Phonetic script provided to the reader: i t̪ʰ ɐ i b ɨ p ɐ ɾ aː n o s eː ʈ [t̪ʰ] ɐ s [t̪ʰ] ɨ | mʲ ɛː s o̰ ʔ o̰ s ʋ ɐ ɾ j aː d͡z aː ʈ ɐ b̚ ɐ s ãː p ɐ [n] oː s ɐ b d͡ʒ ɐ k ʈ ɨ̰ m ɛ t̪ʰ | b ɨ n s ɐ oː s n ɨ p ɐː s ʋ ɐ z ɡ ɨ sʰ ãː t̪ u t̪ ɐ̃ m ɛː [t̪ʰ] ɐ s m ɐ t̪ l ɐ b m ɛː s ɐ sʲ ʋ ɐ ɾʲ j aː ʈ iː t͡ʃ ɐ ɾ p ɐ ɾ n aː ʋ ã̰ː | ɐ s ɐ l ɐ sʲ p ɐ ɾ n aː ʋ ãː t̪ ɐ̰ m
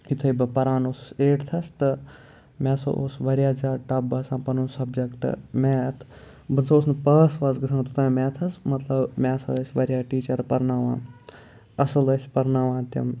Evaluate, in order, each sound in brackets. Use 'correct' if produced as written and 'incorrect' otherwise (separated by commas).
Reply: correct, incorrect, correct, correct